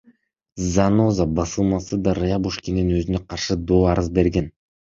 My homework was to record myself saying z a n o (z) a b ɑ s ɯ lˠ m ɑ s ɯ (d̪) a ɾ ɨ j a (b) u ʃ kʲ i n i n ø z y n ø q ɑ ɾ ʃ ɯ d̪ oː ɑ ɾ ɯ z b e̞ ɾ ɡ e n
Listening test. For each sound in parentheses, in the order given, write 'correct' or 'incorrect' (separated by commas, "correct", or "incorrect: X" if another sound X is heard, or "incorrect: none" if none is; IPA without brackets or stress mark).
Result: correct, correct, correct